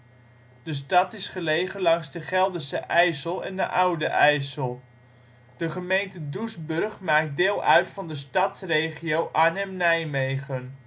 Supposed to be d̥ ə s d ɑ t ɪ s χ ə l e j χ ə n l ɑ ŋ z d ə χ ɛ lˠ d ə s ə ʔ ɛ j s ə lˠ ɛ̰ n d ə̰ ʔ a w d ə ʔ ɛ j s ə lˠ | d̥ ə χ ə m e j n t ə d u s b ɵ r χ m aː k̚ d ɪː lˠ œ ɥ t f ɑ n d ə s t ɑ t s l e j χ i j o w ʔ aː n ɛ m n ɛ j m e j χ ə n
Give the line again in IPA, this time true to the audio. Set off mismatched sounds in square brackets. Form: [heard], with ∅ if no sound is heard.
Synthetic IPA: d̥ ə s [t] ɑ t ɪ s χ ə l e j χ ə n l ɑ ŋ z d ə χ ɛ lˠ d ə s ə ʔ ɛ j s ə lˠ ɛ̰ n d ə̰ ʔ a w d ə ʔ ɛ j s ə lˠ | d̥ ə χ ə m e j n t ə d u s b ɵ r χ m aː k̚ d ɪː lˠ œ ɥ t f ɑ n d ə s t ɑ t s [r] e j χ i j o w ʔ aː n ɛ m n ɛ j m e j χ ə n